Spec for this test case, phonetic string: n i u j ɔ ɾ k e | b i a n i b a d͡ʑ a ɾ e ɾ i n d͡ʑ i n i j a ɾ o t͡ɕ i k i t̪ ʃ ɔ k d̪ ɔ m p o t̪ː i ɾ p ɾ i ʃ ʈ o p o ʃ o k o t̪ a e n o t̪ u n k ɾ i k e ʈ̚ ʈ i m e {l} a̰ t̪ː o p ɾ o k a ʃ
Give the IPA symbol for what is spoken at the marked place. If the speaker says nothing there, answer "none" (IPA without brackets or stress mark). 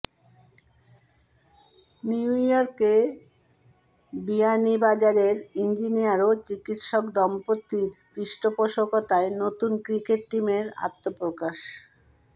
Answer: ɾ